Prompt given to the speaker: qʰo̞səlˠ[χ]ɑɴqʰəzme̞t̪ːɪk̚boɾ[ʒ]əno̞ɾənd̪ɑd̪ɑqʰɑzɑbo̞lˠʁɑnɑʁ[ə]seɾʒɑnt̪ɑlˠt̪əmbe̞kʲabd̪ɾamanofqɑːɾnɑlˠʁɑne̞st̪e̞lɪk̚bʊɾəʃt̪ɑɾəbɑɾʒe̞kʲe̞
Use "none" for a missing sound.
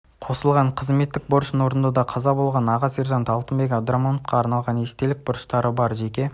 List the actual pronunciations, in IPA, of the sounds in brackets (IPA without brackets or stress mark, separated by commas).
ʁ, ʃ, ɑ